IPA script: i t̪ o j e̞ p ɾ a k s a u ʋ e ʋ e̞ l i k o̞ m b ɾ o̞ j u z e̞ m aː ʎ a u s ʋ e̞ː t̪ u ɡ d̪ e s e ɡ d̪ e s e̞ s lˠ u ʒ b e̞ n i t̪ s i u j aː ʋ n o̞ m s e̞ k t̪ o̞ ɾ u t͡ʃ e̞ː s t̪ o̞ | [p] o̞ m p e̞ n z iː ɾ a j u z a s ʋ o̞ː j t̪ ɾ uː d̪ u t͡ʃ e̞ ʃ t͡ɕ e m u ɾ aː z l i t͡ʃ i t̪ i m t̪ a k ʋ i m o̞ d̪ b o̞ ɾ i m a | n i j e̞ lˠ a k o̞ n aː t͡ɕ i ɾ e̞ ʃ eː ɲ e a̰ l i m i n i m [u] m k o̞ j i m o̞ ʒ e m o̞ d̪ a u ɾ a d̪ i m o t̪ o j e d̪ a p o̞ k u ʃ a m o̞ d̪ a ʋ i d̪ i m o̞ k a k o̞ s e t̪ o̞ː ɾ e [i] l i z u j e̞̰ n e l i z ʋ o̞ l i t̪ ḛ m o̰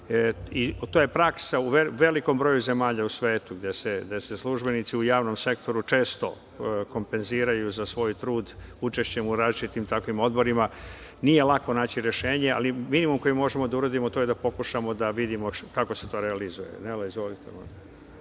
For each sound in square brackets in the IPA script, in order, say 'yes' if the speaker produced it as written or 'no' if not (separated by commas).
no, yes, no